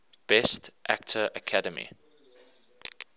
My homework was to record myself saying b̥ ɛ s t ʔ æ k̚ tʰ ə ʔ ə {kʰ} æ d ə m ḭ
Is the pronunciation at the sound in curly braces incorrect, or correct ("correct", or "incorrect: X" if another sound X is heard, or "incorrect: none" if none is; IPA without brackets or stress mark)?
correct